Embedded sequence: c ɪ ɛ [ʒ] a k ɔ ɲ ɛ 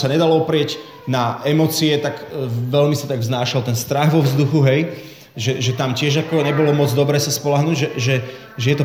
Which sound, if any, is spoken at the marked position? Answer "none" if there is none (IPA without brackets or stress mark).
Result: ʒ